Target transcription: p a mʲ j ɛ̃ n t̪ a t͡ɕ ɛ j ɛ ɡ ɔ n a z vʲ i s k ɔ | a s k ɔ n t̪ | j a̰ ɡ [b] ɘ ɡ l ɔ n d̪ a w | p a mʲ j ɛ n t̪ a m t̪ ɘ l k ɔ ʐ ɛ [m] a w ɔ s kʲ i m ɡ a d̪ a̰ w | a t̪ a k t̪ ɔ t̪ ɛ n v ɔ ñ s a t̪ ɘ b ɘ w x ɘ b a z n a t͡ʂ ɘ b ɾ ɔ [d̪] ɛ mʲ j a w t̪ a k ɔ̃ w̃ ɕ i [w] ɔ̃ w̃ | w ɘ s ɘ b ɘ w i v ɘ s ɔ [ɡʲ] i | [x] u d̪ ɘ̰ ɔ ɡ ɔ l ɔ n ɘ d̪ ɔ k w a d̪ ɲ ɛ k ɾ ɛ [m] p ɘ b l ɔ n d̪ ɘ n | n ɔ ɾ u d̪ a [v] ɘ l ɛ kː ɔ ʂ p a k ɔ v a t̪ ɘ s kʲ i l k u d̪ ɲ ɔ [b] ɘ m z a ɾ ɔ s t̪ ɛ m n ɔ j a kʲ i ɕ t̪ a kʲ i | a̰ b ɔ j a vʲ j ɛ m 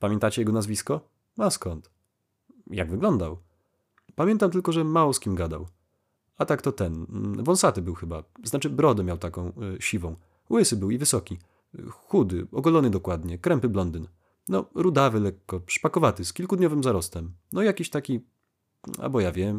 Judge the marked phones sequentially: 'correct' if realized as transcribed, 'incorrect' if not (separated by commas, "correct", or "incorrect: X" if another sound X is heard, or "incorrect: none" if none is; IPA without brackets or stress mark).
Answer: incorrect: v, correct, correct, incorrect: v, incorrect: kʲ, correct, correct, correct, incorrect: v